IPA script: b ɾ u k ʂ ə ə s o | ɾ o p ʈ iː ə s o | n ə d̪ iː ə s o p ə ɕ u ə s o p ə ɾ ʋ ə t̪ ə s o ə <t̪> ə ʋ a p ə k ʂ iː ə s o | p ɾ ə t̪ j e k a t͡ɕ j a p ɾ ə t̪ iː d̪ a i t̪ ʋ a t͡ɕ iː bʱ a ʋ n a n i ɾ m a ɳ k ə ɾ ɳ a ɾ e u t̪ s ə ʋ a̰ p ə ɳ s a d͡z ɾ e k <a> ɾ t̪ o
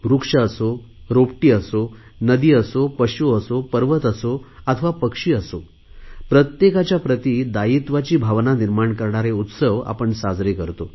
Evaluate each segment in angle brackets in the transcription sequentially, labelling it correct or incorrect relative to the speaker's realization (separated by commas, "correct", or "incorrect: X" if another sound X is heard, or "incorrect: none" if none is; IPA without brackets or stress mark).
incorrect: t̪ʰ, incorrect: ə